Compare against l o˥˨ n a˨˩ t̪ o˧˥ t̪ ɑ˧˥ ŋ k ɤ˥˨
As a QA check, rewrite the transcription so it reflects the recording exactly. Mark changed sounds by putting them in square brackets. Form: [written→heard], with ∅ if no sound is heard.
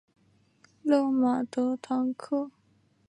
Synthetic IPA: l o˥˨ [n→m] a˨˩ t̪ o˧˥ [t̪→t̪ʰ] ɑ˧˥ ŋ [k→kʰ] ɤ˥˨